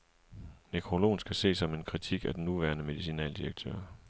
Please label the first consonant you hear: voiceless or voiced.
voiced